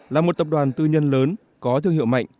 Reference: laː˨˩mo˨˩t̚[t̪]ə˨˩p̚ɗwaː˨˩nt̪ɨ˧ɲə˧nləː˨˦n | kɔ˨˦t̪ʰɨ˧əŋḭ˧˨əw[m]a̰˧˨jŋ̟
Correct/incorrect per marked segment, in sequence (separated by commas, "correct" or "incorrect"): correct, correct